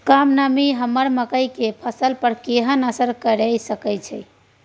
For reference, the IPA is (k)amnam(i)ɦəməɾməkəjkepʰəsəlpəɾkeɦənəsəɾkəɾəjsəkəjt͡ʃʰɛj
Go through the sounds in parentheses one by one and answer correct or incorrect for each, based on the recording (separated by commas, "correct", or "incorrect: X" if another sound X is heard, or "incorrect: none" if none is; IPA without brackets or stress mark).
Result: correct, correct